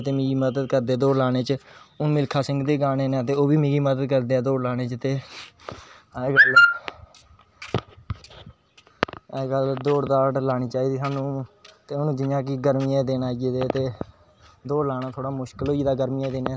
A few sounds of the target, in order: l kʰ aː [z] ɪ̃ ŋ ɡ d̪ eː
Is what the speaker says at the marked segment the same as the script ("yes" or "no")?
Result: no